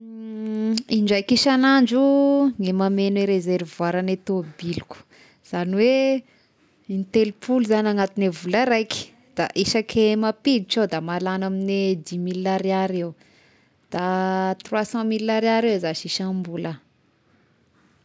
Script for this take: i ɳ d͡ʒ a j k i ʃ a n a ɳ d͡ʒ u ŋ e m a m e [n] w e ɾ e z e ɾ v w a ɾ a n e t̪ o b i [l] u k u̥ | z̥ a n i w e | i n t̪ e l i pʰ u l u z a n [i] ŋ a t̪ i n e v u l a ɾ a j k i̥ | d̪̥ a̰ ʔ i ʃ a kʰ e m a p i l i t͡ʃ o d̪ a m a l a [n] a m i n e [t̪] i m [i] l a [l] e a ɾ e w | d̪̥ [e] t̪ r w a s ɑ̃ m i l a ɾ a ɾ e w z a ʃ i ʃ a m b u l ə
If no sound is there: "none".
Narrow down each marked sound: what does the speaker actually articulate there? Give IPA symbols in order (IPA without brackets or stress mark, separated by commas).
n, l, a, n, d̪, i, ɾ, a